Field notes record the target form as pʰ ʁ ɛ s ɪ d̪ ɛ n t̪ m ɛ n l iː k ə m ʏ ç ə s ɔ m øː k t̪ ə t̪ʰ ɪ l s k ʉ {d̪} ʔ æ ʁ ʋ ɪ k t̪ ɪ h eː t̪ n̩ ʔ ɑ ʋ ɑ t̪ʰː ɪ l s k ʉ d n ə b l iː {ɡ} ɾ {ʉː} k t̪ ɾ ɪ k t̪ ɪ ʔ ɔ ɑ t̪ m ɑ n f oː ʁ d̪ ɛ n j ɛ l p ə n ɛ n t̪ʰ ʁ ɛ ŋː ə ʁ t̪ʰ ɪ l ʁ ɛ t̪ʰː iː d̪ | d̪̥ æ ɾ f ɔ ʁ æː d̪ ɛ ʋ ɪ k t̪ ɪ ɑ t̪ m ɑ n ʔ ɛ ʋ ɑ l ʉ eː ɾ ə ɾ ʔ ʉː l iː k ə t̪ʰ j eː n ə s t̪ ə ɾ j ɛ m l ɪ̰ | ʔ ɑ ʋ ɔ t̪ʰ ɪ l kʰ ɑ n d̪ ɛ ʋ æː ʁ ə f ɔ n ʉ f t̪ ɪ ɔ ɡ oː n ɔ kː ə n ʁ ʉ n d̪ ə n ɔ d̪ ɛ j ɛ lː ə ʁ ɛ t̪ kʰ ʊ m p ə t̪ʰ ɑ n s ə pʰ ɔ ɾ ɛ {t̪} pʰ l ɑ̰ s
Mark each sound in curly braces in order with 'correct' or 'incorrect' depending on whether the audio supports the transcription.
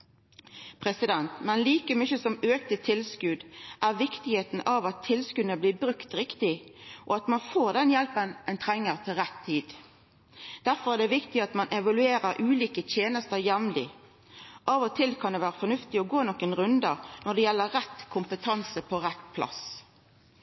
correct, incorrect, incorrect, correct

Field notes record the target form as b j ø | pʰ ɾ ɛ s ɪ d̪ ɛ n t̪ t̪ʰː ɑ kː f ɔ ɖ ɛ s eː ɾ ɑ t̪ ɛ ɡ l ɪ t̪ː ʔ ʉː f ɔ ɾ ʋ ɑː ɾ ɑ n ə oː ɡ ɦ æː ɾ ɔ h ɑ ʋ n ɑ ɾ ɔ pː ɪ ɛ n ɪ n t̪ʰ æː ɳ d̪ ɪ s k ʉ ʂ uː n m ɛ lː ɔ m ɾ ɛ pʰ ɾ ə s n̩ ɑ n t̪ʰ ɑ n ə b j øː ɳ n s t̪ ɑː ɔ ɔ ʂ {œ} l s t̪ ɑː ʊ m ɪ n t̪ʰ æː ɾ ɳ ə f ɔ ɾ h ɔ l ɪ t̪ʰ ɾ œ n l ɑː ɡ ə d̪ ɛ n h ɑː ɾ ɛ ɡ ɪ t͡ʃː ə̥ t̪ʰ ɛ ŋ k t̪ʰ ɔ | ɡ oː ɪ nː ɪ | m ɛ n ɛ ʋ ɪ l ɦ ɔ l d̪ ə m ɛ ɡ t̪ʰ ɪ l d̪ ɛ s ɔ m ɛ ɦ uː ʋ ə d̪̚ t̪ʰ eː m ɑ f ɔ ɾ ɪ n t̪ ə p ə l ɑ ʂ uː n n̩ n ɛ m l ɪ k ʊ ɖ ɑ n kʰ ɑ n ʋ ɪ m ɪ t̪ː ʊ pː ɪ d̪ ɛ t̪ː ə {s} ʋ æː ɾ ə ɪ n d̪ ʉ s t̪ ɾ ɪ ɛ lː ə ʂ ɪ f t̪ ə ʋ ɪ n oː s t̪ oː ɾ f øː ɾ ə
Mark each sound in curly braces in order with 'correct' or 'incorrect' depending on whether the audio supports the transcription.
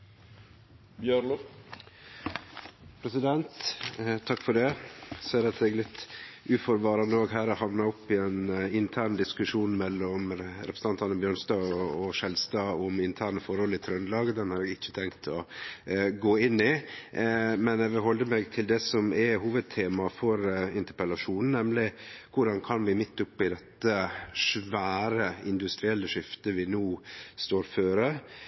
incorrect, incorrect

